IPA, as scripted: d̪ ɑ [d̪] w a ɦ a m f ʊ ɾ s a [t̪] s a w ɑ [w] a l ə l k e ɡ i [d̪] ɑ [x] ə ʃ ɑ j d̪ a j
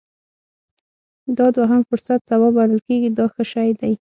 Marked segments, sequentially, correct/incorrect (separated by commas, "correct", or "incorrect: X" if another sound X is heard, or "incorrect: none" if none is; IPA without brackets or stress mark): correct, correct, incorrect: b, correct, correct